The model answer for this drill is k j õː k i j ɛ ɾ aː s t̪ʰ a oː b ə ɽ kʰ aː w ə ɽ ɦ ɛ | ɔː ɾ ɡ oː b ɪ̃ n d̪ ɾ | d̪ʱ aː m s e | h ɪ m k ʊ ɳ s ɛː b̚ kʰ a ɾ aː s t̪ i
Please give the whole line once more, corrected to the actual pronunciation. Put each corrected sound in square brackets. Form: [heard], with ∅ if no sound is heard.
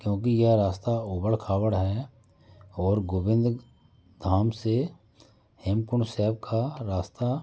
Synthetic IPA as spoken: k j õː k i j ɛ ɾ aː s [t̪] a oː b ə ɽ kʰ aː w ə ɽ ɦ ɛ | ɔː ɾ ɡ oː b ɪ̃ n d̪ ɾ | d̪ʱ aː m s e | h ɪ m k ʊ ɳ s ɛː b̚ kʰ a ɾ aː s t̪ [a]